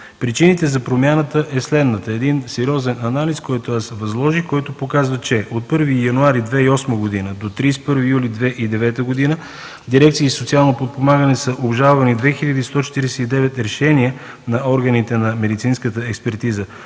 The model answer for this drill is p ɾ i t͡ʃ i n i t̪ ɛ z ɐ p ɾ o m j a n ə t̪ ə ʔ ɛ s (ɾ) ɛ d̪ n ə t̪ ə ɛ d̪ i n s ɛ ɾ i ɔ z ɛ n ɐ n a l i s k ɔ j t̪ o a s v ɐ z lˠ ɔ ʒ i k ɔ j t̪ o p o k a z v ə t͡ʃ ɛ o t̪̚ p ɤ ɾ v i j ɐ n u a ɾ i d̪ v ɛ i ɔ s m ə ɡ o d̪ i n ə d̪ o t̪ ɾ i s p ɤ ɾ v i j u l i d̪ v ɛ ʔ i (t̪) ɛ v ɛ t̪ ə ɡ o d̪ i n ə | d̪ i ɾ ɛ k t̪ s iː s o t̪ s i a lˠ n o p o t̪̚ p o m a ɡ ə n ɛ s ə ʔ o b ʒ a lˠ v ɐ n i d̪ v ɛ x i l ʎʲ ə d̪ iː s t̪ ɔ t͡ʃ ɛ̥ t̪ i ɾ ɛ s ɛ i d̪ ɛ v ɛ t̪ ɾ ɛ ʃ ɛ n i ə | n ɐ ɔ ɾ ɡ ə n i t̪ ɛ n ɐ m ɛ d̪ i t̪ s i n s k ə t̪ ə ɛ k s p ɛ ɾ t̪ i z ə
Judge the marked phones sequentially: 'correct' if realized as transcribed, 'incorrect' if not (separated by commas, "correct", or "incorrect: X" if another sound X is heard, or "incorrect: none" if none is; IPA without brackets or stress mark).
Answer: incorrect: l, incorrect: d̪